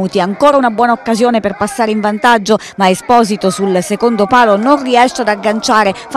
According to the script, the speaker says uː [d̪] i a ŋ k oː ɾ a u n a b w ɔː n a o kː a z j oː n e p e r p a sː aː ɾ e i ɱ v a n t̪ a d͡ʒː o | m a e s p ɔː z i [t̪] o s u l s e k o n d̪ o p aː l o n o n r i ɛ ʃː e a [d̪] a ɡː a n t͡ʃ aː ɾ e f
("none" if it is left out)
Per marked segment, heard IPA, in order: t̪, t̪, d̪

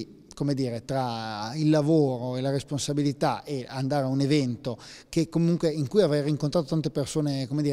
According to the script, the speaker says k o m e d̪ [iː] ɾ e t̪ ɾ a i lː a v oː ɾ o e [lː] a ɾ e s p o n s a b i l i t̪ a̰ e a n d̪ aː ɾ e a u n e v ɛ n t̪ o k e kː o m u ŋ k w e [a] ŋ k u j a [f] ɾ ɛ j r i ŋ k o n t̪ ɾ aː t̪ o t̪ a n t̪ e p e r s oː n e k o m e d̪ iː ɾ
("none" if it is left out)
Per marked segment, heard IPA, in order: iː, l, i, v

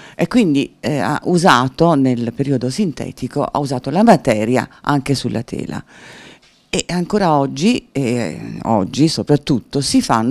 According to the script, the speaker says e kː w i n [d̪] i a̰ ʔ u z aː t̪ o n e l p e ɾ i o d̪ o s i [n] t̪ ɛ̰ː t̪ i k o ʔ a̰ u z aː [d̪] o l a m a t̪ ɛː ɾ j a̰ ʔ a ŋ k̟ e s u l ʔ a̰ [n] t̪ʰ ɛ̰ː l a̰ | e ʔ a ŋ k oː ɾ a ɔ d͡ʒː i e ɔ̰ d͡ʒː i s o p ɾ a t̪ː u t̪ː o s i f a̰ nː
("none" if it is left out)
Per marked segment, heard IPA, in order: d̪, n, t̪, none

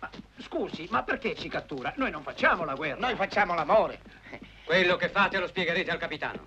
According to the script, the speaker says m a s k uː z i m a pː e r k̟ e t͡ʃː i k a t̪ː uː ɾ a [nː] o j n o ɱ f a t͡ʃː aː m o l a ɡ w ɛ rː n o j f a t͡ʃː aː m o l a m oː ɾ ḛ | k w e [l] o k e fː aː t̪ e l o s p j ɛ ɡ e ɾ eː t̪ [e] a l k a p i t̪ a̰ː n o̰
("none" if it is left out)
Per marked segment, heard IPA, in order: n, lː, e

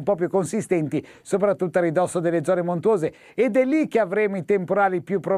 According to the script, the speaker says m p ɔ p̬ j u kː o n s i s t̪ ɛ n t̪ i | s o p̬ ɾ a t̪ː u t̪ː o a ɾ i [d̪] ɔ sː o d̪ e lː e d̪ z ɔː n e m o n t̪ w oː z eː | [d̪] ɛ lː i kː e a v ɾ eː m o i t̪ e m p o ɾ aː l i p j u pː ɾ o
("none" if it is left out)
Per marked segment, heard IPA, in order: d̪, d̪

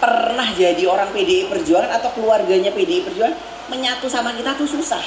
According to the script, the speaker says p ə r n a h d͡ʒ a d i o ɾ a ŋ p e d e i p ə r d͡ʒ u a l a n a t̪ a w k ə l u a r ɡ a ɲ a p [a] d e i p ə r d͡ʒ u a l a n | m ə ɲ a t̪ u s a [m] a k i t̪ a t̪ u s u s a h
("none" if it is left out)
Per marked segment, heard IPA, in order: e, m

